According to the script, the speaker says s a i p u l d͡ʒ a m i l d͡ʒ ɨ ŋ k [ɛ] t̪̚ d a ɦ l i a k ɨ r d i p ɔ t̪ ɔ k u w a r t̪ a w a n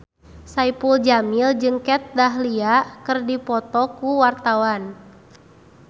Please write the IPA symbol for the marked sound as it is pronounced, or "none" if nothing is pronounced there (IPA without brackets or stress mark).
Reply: ɛ